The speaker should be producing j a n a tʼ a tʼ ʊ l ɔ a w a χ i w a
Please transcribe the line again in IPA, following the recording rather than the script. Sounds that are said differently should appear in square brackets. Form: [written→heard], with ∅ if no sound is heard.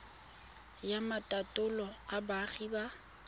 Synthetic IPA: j a [n→m] a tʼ a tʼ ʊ l ɔ a [w→b] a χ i [w→b] a